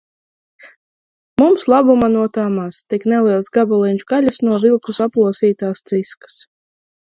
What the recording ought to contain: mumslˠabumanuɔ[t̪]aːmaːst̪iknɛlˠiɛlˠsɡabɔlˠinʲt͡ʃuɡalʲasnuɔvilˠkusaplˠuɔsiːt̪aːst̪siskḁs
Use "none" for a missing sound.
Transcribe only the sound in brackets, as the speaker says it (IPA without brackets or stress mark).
t̪